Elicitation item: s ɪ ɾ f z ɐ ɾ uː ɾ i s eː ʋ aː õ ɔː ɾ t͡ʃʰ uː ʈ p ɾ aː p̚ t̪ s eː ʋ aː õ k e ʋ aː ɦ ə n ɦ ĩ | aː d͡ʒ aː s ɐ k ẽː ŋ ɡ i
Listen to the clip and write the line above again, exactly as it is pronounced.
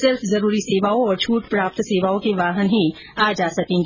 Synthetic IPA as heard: s ɪ ɾ f z ɐ ɾ uː ɾ i s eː ʋ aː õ ɔː ɾ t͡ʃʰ uː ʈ p ɾ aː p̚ t̪ s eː ʋ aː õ k e ʋ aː ɦ ə n ɦ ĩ | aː d͡ʒ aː s ɐ k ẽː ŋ ɡ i